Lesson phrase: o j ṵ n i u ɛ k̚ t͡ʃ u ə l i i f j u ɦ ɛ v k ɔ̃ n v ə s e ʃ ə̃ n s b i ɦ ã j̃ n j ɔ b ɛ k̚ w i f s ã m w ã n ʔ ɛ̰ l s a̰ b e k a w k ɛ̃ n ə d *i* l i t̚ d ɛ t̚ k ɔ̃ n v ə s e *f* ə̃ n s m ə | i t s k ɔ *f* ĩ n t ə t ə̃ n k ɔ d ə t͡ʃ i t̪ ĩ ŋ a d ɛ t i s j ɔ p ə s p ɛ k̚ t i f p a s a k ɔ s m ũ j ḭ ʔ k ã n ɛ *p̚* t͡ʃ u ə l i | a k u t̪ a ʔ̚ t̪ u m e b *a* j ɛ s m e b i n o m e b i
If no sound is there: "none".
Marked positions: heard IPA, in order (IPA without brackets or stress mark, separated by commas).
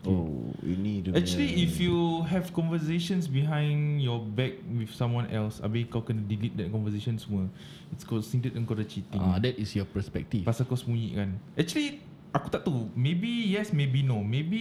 i, ʃ, s, k̚, i